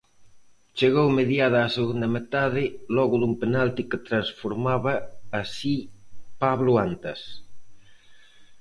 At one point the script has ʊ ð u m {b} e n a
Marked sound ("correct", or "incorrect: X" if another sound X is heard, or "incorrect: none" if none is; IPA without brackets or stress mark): incorrect: p